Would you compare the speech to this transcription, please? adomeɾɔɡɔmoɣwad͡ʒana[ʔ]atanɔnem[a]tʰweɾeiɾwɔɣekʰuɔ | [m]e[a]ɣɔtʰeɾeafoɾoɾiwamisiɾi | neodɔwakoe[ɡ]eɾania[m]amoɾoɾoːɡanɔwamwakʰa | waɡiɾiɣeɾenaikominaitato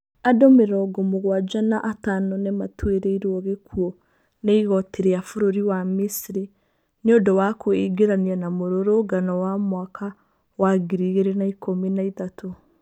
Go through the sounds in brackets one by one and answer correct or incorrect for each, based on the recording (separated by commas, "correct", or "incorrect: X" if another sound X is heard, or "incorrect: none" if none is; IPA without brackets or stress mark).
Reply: correct, correct, incorrect: n, incorrect: i, correct, incorrect: n